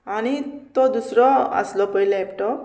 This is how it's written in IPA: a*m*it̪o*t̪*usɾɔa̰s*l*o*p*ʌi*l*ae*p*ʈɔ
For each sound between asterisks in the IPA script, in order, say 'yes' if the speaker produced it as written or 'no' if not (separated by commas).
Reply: no, no, yes, yes, yes, yes